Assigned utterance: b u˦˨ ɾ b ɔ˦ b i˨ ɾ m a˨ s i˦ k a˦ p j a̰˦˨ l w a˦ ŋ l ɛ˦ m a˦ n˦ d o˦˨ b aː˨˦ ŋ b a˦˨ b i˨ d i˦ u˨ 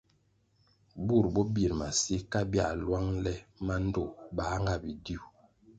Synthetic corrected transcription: b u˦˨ ɾ b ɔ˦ b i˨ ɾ m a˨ s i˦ k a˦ b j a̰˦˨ l w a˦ ŋ l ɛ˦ m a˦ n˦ d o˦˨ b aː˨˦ ŋ ɡ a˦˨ b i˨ d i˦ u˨